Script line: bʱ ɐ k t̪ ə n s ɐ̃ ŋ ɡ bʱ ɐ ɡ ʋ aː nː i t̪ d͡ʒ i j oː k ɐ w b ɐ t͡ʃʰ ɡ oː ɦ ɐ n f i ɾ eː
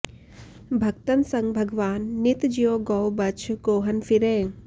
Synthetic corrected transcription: bʱ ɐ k t̪ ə n s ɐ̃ ŋ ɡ bʱ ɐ ɡ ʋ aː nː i t̪ d͡ʒ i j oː ɡ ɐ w b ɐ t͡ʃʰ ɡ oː ɦ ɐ n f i ɾ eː